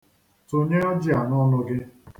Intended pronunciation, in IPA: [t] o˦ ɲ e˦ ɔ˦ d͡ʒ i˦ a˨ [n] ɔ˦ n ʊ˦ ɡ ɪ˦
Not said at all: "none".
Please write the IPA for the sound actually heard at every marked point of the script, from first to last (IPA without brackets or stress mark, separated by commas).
t, n